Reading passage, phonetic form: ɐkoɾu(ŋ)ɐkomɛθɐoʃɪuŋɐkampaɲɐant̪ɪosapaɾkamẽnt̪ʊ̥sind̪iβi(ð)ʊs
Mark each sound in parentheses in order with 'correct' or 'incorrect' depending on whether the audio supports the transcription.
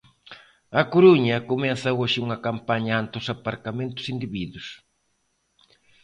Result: incorrect: ɲ, correct

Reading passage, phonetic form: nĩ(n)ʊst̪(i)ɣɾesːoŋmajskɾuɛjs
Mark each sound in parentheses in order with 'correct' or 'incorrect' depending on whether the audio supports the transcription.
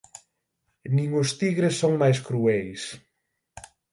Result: incorrect: ŋ, correct

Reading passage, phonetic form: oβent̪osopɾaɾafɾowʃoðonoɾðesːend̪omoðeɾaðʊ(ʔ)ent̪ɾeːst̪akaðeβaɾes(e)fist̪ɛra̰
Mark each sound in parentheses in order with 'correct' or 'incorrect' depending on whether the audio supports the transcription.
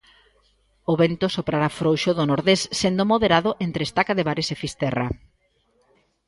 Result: correct, correct

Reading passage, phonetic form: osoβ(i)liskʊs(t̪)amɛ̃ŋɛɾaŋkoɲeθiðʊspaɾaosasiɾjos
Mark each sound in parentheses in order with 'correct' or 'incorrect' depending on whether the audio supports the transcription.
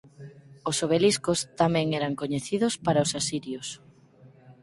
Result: incorrect: e, correct

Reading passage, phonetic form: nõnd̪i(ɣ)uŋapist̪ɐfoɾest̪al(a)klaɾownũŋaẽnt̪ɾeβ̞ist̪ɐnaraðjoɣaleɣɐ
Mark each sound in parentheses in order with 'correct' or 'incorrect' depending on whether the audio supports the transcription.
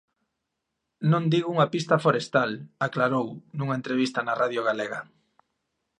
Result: correct, correct

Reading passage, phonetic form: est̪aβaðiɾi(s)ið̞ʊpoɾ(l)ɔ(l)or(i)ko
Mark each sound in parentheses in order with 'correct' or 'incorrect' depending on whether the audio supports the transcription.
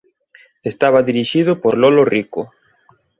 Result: incorrect: ʃ, correct, correct, correct

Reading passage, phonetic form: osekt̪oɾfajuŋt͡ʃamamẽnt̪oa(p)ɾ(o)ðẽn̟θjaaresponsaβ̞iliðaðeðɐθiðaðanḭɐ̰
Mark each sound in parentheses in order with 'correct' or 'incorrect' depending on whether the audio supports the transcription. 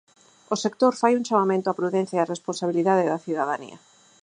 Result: correct, incorrect: u

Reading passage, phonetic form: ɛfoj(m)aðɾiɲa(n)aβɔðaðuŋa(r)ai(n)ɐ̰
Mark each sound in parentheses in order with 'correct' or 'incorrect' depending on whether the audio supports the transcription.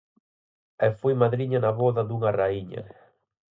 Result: correct, correct, correct, incorrect: ɲ

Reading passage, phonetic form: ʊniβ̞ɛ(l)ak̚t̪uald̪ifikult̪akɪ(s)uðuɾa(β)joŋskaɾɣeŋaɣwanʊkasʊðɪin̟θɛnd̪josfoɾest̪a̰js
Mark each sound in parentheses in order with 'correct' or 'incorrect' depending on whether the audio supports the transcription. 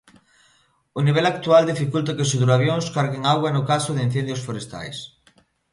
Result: correct, correct, correct

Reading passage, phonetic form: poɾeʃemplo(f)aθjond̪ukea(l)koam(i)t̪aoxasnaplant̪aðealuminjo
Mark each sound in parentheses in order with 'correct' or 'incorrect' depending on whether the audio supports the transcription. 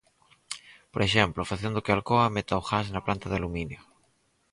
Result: correct, correct, incorrect: e

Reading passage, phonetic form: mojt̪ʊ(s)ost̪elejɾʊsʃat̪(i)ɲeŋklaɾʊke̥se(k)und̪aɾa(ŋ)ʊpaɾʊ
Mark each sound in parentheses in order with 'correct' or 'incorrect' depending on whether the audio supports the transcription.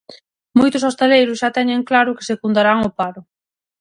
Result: correct, incorrect: ɛ, correct, correct

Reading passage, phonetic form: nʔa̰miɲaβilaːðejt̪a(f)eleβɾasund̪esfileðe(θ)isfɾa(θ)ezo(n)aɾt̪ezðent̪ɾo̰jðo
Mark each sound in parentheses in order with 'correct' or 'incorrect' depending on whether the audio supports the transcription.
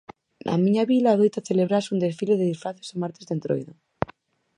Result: incorrect: θ, incorrect: ð, correct, incorrect: m

